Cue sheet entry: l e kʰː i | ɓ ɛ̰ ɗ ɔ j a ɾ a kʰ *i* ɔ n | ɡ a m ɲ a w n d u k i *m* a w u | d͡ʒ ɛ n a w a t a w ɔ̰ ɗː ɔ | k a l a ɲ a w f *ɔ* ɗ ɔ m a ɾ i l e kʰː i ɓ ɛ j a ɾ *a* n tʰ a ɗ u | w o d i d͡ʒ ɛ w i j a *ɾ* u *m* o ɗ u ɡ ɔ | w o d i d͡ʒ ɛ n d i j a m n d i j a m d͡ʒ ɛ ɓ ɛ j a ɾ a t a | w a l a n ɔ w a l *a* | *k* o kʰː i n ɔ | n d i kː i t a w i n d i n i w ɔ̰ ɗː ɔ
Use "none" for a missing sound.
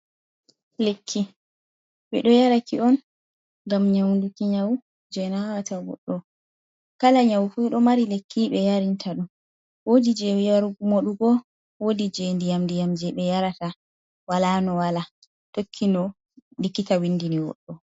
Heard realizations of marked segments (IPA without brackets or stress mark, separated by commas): i, ɲ, u, i, ɾ, m, a, t